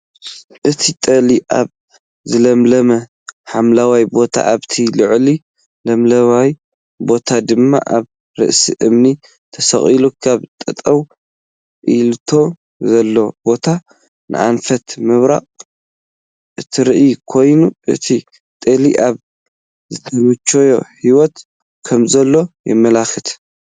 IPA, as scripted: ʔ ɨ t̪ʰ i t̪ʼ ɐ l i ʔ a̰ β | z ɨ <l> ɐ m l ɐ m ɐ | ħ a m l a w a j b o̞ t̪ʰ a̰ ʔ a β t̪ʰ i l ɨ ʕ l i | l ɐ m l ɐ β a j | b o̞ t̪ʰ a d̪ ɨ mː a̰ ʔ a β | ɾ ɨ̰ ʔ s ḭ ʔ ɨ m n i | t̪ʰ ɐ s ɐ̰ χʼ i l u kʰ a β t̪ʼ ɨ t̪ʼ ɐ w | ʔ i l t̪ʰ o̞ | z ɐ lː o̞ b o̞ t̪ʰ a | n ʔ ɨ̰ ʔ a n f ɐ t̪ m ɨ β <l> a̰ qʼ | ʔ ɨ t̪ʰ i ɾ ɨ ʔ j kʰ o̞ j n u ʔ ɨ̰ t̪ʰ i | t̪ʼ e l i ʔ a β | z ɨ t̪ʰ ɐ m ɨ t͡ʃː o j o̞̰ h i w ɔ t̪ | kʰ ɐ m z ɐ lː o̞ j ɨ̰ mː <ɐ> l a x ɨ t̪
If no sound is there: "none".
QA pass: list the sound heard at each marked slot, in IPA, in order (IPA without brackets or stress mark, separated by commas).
l, ɾ, ɐ